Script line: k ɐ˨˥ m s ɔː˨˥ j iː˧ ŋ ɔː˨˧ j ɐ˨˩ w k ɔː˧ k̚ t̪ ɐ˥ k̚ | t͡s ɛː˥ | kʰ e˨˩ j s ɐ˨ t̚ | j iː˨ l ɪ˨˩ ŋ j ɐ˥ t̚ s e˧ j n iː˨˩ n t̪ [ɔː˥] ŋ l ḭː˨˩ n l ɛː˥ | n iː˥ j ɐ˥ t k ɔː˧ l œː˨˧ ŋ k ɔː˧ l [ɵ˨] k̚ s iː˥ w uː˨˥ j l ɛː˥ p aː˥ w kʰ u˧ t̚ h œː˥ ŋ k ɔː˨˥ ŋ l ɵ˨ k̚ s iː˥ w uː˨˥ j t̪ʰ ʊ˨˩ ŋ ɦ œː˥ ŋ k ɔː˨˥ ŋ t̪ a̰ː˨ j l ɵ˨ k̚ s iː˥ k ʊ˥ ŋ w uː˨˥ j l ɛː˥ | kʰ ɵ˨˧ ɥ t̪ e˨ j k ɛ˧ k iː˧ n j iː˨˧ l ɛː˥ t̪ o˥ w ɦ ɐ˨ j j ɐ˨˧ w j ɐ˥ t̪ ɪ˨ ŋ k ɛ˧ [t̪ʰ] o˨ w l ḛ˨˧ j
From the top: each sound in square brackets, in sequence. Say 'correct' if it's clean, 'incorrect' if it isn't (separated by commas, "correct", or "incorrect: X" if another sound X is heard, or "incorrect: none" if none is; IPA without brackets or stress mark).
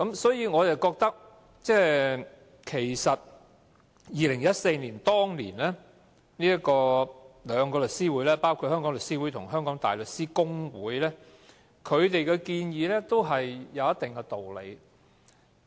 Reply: correct, correct, incorrect: t̪